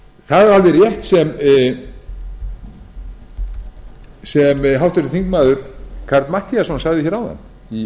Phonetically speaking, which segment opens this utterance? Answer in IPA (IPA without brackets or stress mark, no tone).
θ